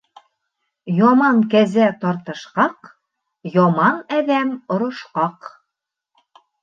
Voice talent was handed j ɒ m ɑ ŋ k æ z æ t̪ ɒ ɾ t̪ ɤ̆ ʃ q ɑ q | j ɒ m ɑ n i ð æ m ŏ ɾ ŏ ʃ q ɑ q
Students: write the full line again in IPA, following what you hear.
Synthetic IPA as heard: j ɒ m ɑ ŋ k æ z æ t̪ ɒ ɾ t̪ ɤ̆ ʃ q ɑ q | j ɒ m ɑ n æ ð æ m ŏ ɾ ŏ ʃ q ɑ q